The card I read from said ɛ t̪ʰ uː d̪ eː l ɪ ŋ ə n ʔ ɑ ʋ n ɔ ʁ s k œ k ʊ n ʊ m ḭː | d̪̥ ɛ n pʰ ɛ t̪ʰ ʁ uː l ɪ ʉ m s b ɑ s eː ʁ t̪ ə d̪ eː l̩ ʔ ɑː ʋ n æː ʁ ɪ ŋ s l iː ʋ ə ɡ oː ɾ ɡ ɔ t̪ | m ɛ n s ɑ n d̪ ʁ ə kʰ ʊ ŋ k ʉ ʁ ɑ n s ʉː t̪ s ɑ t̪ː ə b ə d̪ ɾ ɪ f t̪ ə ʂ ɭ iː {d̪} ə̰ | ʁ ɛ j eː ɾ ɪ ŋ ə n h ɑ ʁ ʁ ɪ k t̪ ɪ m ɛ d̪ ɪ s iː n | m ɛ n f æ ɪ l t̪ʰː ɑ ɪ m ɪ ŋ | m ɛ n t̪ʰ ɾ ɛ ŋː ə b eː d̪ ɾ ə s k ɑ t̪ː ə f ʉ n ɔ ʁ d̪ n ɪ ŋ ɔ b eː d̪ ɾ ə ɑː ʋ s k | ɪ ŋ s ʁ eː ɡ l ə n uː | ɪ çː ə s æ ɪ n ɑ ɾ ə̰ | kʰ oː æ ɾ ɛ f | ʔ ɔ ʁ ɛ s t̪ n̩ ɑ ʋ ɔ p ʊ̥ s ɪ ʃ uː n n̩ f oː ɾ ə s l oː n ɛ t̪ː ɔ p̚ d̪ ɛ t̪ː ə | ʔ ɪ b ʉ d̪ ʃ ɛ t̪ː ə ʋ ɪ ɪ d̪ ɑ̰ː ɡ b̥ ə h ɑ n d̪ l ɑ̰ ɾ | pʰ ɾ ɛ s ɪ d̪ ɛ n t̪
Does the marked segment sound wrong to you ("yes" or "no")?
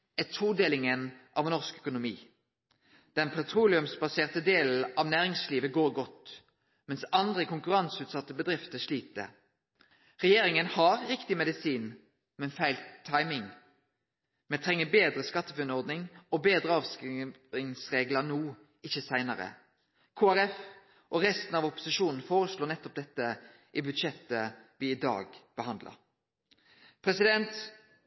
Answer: yes